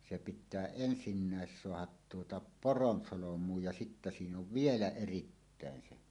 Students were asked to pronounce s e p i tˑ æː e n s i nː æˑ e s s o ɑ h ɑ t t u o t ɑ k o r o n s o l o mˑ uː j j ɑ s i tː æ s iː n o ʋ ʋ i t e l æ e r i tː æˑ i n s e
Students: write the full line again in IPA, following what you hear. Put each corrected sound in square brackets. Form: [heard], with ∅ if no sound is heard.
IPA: s e p i tˑ æː e n s i nː æˑ e s s o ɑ h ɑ t t u o t ɑ [p] o r o n s o l o mˑ uː j j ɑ s i tː æ s iː n o ʋ ʋ i [∅] e l æ e r i tː æˑ [e] n s e